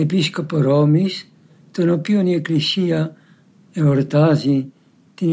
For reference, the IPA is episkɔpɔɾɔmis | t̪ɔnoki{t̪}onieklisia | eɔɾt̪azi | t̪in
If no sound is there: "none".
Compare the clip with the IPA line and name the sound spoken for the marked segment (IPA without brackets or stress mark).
none